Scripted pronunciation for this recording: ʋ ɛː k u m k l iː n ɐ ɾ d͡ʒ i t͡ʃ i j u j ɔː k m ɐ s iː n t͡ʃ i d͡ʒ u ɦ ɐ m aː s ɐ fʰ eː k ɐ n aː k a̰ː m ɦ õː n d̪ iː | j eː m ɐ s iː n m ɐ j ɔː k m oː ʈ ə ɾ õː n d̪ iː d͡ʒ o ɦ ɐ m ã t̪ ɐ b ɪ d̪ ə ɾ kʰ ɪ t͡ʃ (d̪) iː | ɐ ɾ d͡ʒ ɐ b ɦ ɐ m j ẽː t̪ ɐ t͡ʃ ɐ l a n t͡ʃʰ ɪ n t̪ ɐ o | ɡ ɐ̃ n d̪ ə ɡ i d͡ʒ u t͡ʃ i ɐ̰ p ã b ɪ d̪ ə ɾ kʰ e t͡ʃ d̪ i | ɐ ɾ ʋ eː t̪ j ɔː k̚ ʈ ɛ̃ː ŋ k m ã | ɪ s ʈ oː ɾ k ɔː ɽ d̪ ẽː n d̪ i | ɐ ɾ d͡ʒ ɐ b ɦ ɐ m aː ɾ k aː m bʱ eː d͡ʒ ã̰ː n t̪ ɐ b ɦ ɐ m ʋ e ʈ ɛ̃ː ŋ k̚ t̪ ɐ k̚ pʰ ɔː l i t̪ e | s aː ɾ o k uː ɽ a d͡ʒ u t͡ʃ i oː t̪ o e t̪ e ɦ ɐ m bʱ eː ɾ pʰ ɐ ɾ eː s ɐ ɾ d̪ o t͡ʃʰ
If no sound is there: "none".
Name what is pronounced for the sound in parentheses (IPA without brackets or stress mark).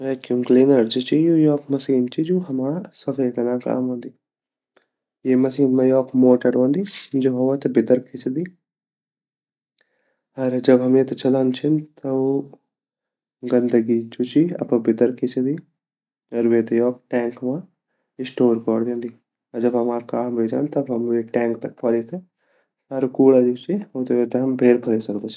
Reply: d̪